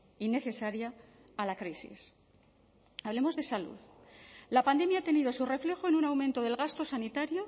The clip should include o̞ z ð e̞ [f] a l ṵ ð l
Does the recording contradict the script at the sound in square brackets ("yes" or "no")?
yes